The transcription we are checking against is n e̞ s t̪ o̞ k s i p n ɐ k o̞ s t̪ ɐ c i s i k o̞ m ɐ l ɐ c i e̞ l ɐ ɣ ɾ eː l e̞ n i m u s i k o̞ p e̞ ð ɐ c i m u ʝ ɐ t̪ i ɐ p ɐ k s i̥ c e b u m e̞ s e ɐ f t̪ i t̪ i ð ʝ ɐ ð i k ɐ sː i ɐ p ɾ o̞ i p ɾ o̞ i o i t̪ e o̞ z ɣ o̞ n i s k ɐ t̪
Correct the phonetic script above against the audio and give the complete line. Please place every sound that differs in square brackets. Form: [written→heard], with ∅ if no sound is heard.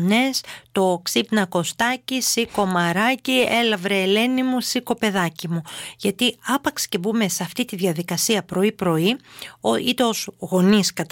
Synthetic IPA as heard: n e̞ s t̪ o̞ k s i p n ɐ k o̞ s t̪ ɐ c i s i k o̞ m ɐ [l→ɾ] ɐ c i e̞ l ɐ [ɣ→v] ɾ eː l e̞ n i m u s i k o̞ p e̞ ð ɐ c i m u ʝ ɐ t̪ i ɐ p ɐ k s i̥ c e b u m e̞ s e ɐ f t̪ i t̪ i ð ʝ ɐ ð i k ɐ [sː→s] i ɐ p ɾ o̞ i p ɾ o̞ i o i t̪ e o̞ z ɣ o̞ n i s k ɐ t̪